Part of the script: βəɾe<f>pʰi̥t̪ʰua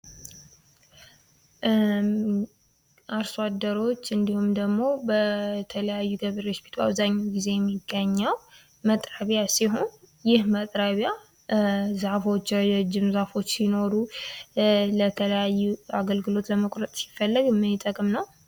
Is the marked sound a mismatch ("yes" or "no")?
yes